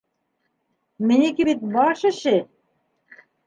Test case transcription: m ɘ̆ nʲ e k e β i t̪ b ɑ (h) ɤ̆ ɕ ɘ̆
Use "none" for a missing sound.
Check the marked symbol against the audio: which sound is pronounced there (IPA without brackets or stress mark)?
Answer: ʃ